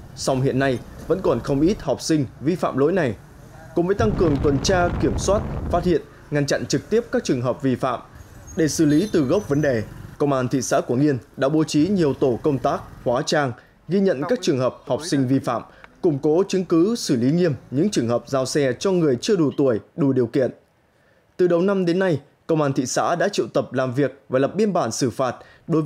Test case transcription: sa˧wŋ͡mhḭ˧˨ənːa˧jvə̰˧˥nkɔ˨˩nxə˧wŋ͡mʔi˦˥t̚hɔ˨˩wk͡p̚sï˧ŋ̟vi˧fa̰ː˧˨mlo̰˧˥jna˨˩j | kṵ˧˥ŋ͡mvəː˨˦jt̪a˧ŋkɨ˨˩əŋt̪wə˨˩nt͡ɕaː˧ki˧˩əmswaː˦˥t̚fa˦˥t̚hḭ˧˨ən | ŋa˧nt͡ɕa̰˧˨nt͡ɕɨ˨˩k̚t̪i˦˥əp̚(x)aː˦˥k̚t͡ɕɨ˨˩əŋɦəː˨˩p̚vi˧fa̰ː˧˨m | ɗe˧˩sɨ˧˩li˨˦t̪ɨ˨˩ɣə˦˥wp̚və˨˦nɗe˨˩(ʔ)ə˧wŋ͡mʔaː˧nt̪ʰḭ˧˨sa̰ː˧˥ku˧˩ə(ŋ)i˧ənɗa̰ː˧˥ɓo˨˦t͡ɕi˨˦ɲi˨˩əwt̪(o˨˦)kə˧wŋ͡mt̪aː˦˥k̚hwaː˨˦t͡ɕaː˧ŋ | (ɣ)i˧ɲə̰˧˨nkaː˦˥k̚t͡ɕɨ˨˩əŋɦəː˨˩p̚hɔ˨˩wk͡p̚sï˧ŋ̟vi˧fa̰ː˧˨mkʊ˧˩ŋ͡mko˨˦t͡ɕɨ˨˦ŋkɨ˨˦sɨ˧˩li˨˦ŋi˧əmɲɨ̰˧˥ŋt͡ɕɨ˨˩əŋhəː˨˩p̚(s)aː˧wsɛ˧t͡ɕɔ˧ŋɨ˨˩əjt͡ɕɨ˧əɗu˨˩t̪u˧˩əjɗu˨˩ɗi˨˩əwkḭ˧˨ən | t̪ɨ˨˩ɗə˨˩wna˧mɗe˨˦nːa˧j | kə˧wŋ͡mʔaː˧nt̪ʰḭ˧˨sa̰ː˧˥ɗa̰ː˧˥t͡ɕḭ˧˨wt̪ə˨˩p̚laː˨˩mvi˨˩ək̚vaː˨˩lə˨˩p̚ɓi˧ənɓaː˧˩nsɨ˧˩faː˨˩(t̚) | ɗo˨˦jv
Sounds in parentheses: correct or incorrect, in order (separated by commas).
incorrect, incorrect, correct, incorrect, correct, incorrect, correct